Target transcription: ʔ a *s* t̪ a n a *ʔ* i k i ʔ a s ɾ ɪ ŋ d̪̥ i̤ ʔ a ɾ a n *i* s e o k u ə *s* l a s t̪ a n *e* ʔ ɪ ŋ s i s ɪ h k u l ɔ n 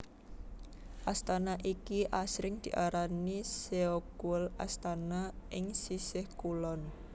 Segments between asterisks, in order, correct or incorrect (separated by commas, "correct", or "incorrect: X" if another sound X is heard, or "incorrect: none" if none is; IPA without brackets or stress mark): correct, correct, correct, incorrect: none, incorrect: a